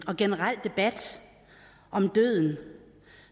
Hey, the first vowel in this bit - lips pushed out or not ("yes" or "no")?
yes